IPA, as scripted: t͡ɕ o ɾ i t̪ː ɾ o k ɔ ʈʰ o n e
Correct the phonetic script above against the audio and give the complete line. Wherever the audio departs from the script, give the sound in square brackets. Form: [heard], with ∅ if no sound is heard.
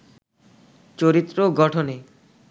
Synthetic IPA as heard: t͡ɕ o ɾ i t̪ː ɾ o [ɡ] ɔ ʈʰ o n e

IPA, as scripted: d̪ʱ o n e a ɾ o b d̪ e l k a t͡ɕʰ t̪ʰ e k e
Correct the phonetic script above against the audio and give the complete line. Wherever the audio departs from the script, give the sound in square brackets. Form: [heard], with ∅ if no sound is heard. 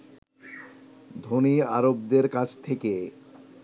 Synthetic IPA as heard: d̪ʱ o n [i] a ɾ o b d̪ e [ɾ] k a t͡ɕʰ t̪ʰ e k e

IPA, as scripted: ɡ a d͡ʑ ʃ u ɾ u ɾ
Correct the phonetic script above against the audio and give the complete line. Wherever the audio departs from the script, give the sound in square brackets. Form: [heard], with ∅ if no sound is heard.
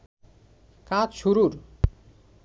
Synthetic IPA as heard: [k] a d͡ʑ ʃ u ɾ u ɾ

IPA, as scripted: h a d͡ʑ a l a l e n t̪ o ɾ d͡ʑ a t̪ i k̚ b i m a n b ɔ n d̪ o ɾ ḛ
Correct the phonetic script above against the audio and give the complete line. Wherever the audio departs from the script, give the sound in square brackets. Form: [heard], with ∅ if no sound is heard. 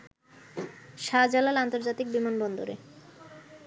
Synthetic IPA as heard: [ʃ] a d͡ʑ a l a l [a] n t̪ o ɾ d͡ʑ a t̪ i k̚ b i m a n b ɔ n d̪ o ɾ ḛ

